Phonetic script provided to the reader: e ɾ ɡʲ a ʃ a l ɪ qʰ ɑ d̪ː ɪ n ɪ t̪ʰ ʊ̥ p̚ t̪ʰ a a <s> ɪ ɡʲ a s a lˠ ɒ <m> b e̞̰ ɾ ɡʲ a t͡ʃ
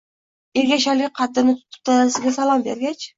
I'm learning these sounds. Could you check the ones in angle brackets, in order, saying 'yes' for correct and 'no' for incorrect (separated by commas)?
yes, yes